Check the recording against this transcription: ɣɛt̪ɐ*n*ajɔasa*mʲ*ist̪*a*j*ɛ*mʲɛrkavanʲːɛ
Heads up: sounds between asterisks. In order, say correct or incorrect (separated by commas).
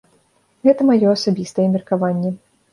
incorrect, incorrect, incorrect, correct